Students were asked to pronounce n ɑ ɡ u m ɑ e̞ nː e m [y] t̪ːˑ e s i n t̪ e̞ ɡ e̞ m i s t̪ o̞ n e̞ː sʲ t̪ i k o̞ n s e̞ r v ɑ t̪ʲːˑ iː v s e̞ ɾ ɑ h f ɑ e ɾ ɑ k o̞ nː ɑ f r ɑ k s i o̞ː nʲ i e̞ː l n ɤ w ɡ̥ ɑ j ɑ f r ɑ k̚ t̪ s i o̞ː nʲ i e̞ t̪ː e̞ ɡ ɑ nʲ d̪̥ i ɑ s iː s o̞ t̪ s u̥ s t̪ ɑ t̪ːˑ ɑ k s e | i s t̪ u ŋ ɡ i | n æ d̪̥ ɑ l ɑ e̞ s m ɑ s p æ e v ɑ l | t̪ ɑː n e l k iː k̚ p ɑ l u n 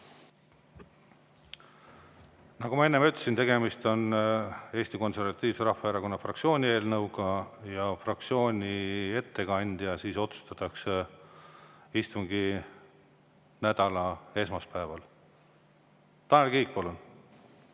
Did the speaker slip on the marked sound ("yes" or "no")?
no